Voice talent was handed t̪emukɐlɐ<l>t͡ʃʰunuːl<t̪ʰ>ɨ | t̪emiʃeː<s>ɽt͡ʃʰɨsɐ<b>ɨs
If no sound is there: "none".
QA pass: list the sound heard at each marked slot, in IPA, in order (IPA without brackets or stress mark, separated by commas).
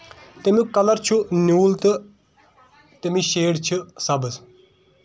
ɾ, t̪, none, b